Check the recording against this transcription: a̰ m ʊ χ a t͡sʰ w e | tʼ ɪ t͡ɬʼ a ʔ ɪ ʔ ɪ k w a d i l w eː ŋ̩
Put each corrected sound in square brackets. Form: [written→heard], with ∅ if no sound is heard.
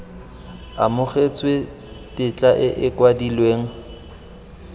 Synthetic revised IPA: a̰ m ʊ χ [a→e] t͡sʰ w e | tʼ ɪ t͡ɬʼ a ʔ ɪ ʔ ɪ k w a d i l w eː ŋ̩